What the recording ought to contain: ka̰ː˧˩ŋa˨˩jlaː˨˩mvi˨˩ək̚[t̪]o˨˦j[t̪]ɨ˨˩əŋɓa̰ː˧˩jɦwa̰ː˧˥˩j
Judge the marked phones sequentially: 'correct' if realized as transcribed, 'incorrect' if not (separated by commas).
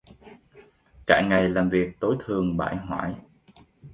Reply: correct, incorrect